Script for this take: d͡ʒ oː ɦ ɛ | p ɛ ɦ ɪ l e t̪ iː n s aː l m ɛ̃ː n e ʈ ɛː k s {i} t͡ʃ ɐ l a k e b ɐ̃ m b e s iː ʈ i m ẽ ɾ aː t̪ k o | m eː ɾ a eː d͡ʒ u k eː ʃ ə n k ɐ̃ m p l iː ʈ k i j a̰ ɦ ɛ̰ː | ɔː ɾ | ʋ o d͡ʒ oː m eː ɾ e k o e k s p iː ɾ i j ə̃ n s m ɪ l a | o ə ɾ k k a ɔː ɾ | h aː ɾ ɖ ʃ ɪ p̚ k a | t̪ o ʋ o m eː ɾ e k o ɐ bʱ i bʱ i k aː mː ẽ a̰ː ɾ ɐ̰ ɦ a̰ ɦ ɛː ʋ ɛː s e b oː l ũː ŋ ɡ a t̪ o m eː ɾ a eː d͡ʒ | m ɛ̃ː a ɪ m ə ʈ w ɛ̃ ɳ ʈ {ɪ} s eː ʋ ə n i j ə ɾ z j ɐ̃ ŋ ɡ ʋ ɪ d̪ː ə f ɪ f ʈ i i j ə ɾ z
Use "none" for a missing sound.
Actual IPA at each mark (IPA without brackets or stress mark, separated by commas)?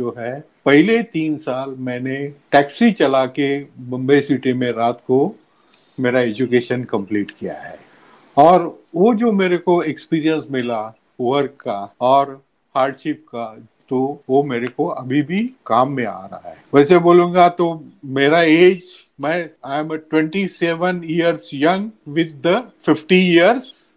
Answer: i, i